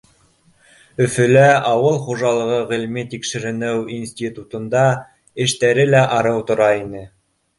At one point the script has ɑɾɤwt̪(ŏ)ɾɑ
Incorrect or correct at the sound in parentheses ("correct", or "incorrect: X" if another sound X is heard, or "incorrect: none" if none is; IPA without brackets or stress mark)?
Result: correct